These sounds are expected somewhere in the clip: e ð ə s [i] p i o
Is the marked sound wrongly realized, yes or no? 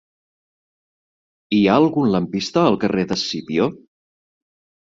no